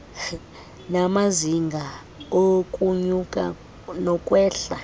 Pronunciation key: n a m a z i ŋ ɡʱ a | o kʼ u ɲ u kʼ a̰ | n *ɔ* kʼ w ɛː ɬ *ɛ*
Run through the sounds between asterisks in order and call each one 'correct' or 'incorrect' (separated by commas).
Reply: correct, incorrect